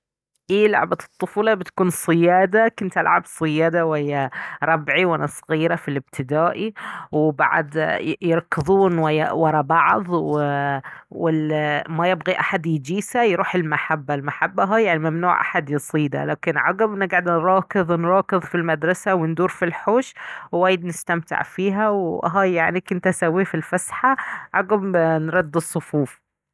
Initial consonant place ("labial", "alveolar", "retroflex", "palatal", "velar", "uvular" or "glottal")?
glottal